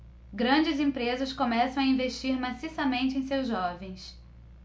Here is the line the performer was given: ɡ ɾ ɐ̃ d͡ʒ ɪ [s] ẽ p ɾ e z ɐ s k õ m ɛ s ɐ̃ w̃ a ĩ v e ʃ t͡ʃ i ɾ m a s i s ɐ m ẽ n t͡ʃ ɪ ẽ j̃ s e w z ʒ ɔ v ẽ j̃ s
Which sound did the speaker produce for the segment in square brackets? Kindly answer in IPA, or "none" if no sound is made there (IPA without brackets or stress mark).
z